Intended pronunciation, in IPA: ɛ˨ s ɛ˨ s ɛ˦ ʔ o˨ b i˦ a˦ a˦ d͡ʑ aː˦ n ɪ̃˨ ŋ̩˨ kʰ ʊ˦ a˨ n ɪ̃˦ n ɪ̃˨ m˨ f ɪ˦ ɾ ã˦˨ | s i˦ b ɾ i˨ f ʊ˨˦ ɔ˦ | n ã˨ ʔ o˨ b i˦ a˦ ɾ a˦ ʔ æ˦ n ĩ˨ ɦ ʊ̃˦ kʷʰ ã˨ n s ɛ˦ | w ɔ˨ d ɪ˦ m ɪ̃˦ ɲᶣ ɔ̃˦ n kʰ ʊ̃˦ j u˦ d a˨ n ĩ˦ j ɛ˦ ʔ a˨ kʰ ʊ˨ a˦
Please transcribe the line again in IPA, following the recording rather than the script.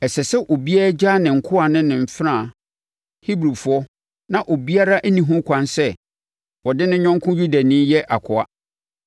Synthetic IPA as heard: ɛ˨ s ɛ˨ s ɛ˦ ʔ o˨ b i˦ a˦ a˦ d͡ʑ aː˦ n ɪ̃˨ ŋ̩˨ kʰ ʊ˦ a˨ n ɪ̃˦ n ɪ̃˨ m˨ f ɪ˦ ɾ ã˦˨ | h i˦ b ɾ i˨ f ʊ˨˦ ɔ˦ | n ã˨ ʔ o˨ b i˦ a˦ ɾ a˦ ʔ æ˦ n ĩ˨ ɦ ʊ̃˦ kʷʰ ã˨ n s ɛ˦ | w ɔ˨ d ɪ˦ n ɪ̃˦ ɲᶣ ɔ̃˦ ŋ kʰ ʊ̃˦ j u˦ d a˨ n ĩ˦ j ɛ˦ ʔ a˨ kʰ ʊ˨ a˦

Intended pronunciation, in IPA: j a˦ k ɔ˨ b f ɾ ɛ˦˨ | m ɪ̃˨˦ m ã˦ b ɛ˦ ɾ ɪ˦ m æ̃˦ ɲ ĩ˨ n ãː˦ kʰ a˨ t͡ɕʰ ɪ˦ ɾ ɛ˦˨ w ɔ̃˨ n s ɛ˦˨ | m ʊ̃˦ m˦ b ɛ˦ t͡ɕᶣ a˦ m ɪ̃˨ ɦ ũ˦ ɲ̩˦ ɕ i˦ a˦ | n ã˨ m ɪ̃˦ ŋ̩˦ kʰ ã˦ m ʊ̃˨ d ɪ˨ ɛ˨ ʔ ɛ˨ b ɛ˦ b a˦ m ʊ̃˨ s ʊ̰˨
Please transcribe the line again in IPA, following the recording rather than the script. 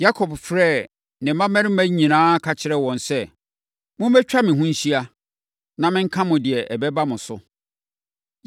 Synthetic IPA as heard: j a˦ kʰ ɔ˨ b f ɾ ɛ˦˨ | n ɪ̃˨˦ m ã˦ m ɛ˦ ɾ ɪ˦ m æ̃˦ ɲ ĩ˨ n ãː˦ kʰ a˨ t͡ɕʰ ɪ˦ ɾ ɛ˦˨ w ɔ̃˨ n s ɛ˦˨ | m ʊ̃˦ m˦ b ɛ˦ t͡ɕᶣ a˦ m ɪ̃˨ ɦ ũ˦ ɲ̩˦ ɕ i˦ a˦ | n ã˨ m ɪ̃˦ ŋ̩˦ kʰ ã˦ m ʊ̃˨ d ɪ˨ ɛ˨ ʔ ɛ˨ b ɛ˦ b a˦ m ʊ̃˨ s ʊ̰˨

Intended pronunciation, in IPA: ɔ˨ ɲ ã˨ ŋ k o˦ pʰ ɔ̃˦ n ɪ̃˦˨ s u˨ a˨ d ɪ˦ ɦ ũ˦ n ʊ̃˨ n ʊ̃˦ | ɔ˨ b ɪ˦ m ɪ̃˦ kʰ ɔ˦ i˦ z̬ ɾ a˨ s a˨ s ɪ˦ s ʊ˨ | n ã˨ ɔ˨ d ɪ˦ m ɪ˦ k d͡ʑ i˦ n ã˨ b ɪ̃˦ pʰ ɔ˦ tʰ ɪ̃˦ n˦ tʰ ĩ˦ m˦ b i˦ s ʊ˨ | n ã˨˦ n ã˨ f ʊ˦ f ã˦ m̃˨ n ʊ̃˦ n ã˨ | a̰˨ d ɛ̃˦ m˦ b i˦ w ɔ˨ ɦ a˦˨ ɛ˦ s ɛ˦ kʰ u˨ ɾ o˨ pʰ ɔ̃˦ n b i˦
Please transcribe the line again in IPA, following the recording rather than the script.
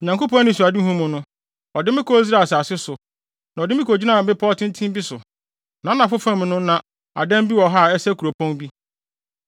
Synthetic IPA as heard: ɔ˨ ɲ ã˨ ŋ k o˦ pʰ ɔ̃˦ n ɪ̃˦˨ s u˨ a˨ d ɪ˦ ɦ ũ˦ m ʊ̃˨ n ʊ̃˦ | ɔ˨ d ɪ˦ m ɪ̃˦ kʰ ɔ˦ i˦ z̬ ɾ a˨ s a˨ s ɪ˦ s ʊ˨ | n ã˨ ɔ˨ d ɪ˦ m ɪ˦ k d͡ʑ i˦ n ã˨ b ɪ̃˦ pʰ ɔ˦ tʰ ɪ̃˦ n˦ tʰ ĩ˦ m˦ b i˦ s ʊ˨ | n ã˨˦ n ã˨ f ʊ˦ f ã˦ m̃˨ n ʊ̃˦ n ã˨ | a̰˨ d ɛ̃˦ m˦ b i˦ w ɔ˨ ɦ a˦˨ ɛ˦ s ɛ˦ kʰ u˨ ɾ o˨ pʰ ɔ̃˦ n b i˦

